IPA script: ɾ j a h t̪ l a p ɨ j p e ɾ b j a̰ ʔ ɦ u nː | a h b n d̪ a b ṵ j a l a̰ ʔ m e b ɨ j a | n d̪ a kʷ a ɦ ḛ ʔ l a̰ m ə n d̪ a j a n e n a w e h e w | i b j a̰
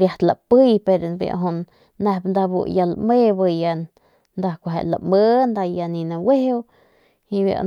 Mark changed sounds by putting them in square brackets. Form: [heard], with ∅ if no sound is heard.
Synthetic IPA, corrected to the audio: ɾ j a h t̪ l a p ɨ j p e ɾ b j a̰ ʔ ɦ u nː | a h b n d̪ a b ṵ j a l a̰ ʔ m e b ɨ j a | n d̪ a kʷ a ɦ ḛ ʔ l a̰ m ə n d̪ a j a n [i] n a w e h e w | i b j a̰